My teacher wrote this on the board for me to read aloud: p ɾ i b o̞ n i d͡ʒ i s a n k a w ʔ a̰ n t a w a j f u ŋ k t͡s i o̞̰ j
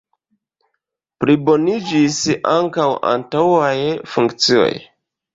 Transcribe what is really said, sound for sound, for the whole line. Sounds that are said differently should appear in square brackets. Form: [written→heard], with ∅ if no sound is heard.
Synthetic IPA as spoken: p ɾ i b o̞ n i d͡ʒ i s a [n→ŋ] k a w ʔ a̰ n t a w a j f u ŋ k t͡s i o̞̰ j